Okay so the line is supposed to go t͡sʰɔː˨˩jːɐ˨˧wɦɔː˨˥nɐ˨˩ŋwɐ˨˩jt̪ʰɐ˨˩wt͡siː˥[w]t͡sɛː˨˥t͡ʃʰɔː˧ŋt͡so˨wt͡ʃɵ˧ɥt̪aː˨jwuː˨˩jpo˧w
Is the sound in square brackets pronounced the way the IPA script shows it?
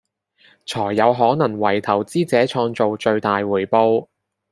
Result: no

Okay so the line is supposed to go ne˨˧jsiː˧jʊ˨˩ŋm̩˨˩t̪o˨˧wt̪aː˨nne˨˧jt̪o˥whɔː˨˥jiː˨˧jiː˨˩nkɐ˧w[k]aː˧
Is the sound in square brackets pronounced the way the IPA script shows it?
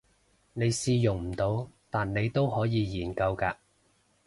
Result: yes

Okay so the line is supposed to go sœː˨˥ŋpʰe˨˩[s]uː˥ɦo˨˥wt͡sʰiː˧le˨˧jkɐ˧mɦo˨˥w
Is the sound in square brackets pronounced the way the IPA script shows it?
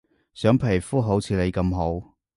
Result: no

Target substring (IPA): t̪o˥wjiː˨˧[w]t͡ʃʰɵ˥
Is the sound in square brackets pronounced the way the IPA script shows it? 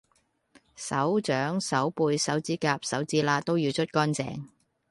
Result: yes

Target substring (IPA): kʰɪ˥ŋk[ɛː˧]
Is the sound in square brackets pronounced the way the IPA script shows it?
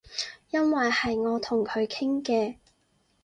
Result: yes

